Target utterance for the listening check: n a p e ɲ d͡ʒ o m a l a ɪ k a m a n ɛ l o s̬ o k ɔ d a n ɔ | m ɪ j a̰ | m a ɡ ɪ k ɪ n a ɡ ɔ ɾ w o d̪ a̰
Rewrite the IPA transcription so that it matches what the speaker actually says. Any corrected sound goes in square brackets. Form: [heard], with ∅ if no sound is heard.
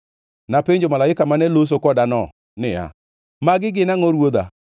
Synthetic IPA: n a p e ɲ d͡ʒ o m a l a ɪ k a m a n ɛ l o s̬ o k ɔ d a n ɔ | [n] ɪ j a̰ | m a ɡ ɪ [ɡ] ɪ n a [ŋ] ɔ ɾ w o d̪ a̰